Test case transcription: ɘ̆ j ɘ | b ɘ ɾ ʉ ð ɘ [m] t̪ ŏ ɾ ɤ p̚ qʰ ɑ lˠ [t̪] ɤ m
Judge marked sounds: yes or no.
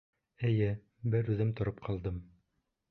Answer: yes, no

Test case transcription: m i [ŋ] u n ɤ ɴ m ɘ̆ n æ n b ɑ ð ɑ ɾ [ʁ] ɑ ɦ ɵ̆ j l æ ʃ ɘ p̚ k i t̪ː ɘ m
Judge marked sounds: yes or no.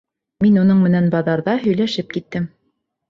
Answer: no, no

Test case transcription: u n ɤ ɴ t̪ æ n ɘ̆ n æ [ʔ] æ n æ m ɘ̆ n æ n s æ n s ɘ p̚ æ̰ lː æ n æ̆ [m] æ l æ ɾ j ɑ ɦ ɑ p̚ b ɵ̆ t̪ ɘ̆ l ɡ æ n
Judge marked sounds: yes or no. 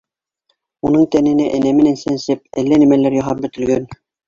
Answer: yes, yes

